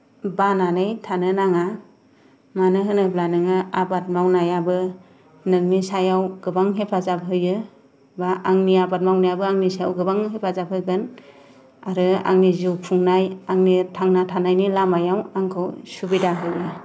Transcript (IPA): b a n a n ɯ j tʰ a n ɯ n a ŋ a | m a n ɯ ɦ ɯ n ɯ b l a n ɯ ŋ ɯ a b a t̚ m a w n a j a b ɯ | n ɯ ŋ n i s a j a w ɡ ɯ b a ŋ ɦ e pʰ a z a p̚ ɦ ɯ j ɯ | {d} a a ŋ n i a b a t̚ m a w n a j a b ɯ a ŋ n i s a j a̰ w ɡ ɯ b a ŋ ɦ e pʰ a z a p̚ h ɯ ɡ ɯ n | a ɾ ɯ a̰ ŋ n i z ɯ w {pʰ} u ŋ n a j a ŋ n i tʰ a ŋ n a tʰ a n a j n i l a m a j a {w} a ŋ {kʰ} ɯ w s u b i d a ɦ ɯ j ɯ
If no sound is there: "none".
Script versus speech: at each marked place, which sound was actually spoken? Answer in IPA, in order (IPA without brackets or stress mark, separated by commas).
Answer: b, pʰ, w, kʰ